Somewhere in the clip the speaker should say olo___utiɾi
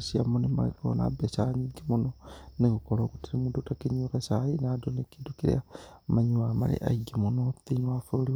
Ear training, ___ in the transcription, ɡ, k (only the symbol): k